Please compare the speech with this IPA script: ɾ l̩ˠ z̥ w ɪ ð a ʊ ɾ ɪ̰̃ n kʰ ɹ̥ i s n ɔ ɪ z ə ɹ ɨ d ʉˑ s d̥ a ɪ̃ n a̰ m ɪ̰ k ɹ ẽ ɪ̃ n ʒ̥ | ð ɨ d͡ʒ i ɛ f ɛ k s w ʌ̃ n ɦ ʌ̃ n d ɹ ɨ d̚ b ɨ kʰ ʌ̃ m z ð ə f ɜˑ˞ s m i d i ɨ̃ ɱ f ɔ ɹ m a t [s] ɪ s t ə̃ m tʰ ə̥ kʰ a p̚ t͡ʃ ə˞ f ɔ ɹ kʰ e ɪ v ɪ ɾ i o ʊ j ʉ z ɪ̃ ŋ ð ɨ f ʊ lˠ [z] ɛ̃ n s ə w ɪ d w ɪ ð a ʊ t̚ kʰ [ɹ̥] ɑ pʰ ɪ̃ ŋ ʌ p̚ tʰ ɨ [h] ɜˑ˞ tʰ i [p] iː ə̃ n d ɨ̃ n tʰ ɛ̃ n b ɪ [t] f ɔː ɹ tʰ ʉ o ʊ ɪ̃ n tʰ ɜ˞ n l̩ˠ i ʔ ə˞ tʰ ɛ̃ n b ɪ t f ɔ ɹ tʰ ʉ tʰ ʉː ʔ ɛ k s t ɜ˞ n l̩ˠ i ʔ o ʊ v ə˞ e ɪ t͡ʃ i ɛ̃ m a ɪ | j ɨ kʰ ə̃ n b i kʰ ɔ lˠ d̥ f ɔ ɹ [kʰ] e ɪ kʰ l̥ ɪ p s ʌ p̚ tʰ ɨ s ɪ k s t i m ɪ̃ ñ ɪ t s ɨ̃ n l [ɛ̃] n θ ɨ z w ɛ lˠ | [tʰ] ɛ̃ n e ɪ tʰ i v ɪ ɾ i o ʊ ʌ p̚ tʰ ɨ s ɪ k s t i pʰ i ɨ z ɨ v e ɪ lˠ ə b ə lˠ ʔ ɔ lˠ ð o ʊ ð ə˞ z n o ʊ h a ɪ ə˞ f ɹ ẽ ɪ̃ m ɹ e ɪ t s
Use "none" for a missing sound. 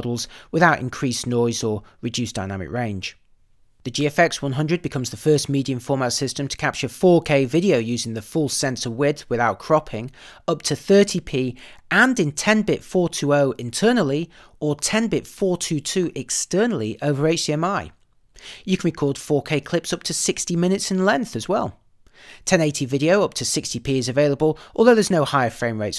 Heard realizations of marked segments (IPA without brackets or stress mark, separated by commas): s, s, ɹ̥, θ, pʰ, t, kʰ, ɛ̃, tʰ